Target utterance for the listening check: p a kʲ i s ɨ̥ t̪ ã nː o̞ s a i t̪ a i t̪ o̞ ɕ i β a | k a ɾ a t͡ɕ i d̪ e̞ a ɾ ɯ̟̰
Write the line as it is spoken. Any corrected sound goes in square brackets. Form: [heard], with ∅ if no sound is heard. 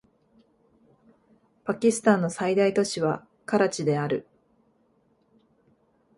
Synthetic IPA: p a kʲ i s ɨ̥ t̪ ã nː o̞ s a i [d̪] a i t̪ o̞ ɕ i β a | k a ɾ a t͡ɕ i d̪ e̞ a ɾ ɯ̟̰